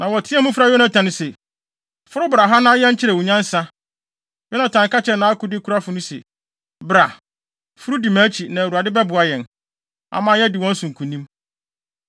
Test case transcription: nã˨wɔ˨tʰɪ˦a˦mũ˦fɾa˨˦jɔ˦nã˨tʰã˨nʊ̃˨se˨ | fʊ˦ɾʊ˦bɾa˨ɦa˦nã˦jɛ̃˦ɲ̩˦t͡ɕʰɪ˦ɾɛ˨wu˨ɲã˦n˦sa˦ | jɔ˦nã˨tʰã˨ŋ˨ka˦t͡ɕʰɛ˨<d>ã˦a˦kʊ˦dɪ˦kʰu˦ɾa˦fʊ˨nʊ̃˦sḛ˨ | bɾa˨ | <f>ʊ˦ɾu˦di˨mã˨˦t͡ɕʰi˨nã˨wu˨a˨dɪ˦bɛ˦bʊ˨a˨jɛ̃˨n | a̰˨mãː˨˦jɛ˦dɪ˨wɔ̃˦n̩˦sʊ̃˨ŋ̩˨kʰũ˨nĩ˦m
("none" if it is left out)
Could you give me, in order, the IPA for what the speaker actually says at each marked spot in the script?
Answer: n, f

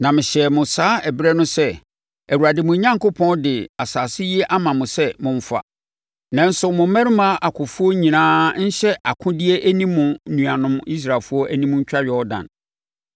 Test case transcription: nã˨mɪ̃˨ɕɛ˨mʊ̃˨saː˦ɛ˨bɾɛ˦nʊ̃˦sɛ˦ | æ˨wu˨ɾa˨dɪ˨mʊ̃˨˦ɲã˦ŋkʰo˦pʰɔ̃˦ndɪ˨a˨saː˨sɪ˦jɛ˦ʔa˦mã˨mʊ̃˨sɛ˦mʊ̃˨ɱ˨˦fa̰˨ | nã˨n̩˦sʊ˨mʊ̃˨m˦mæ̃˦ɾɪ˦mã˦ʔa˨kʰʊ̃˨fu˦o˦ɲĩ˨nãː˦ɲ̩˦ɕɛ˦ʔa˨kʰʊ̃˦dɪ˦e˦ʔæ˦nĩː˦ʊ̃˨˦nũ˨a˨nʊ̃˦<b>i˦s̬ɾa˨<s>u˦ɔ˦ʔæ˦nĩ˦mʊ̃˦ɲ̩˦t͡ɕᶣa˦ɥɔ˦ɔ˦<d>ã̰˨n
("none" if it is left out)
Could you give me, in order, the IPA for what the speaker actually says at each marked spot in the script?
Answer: m, f, d

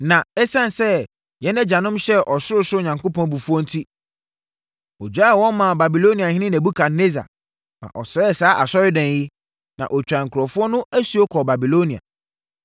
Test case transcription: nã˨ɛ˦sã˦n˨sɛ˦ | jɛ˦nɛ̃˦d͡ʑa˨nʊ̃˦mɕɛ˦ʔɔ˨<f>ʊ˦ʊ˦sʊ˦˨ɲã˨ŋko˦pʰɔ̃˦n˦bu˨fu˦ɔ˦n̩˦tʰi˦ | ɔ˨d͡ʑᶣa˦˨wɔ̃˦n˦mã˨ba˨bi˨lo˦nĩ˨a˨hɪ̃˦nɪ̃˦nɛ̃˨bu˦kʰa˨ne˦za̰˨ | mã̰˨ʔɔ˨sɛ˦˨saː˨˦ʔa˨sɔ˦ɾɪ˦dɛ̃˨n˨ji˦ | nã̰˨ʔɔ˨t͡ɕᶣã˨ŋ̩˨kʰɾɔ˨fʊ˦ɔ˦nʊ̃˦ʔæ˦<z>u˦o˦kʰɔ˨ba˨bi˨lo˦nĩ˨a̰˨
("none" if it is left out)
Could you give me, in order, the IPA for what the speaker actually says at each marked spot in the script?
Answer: s, s

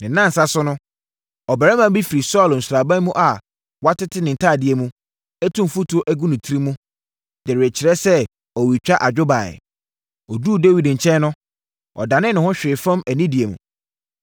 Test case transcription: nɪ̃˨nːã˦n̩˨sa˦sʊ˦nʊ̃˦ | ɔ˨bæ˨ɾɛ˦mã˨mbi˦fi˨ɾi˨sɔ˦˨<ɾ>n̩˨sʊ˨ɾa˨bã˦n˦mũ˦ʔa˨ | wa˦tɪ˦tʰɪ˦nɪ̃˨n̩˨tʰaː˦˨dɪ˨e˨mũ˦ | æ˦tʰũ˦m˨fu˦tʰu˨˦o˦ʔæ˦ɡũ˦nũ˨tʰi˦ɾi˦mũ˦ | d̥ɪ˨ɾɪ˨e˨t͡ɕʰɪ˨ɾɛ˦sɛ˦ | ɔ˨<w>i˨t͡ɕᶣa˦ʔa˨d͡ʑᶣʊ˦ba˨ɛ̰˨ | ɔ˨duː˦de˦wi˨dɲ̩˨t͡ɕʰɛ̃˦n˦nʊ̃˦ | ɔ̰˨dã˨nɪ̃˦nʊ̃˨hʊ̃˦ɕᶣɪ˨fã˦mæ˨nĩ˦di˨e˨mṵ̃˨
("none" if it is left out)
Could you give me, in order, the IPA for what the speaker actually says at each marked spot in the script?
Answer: l, w

